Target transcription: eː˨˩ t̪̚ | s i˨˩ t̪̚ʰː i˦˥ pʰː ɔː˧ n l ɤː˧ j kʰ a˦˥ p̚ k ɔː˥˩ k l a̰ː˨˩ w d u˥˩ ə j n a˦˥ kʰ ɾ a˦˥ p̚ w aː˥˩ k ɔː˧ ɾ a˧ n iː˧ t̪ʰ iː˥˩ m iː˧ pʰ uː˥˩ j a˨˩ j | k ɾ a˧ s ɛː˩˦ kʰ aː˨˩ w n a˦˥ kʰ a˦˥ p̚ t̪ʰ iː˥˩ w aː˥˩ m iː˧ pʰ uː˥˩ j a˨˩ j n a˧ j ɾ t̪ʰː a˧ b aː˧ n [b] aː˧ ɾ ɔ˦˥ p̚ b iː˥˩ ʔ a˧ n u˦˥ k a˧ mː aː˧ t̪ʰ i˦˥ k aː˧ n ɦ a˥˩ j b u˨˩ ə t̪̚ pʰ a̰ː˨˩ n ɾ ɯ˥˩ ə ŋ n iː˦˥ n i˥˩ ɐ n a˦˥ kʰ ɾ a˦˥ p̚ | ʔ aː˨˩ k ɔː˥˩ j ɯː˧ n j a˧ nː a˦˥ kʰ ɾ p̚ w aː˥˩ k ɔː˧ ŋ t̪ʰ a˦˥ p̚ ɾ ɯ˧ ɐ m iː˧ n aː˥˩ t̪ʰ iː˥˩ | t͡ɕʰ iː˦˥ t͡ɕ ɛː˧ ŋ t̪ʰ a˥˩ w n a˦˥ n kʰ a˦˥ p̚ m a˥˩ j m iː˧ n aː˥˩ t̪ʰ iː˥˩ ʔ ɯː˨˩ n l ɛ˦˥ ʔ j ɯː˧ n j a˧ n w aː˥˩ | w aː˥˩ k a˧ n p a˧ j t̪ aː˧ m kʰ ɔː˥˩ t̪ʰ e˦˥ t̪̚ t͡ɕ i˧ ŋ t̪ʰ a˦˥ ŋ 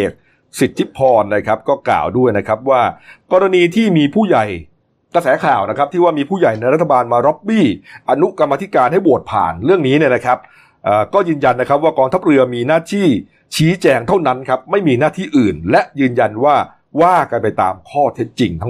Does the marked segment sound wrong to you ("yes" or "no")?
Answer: yes